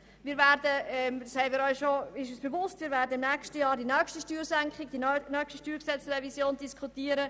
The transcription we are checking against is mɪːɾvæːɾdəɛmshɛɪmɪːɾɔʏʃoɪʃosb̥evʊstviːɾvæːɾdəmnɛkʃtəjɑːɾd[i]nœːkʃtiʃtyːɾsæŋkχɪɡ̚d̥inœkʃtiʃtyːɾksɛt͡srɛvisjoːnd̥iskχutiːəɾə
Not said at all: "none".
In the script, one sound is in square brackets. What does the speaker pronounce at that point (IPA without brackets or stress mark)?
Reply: i